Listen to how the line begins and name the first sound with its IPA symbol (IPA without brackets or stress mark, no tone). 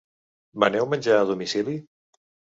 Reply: m